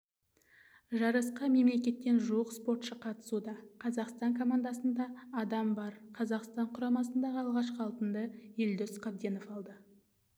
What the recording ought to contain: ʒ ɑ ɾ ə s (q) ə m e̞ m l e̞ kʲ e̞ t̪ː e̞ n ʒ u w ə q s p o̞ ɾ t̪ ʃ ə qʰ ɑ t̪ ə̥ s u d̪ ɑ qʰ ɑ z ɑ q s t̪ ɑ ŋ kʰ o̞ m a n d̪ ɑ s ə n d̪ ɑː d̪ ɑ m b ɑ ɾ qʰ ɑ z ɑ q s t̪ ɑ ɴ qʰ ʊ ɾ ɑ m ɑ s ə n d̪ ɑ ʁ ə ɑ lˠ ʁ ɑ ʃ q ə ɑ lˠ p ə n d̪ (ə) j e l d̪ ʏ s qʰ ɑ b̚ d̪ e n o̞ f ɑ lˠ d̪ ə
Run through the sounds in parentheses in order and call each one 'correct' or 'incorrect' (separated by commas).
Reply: correct, correct